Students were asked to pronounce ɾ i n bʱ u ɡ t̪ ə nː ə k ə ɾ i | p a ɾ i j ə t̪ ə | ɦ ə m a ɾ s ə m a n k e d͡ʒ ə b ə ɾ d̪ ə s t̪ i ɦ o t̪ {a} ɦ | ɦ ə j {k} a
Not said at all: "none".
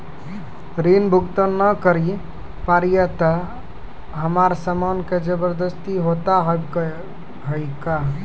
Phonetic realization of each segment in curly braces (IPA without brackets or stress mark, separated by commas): a, k